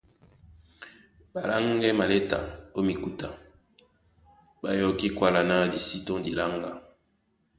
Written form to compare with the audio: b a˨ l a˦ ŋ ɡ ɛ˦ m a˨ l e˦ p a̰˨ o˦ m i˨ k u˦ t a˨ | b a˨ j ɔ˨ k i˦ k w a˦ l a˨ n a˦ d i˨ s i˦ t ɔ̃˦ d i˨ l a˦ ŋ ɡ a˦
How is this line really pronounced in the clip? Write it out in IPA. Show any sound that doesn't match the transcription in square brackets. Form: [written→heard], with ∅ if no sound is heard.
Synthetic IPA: b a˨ l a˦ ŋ ɡ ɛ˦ m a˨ l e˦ [p→t] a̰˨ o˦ m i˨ k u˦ t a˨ | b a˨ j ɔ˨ k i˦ k w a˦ l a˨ n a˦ d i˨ s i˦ t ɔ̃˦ d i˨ l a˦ ŋ ɡ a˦